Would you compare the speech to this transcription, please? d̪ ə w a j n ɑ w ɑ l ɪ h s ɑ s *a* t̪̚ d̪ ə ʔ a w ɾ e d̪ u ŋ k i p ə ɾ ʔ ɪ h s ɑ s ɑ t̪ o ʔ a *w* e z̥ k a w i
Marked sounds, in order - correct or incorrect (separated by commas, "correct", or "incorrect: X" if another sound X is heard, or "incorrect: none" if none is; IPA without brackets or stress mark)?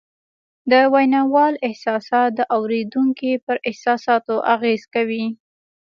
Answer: incorrect: ɑ, incorrect: ɣ